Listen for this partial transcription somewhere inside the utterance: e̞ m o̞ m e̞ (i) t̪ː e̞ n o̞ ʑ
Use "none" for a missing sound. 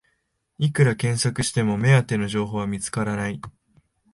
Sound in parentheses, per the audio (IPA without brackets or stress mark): a